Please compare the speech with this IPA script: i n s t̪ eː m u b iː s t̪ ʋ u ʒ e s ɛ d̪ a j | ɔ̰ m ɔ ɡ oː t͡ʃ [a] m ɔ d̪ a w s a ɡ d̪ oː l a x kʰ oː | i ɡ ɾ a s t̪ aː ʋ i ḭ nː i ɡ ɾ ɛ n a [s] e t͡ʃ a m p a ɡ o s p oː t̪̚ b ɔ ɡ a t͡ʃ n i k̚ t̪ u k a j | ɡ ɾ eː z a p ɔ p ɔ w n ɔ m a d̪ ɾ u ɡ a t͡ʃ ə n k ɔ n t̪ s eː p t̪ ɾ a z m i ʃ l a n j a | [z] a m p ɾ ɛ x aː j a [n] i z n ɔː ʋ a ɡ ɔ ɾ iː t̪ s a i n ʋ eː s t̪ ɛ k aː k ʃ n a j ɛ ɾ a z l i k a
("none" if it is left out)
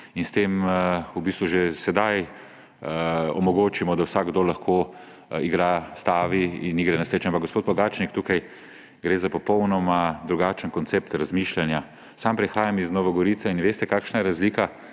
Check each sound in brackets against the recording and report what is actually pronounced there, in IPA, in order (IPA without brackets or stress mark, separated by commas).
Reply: i, s, s, m